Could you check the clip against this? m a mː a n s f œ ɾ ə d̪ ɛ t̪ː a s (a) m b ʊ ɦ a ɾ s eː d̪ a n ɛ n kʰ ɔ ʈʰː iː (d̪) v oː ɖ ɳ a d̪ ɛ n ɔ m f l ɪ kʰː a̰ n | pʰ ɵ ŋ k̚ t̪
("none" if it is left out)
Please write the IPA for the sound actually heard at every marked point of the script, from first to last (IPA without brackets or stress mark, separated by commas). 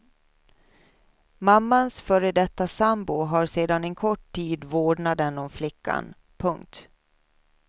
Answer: a, d̪